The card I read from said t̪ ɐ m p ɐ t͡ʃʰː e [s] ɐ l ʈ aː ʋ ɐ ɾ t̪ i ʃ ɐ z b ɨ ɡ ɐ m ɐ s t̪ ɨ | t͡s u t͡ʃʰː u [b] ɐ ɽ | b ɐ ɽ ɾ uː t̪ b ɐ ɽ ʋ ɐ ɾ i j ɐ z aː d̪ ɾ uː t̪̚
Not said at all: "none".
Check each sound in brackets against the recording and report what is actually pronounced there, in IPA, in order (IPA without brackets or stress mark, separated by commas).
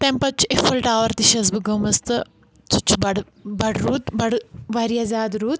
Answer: f, b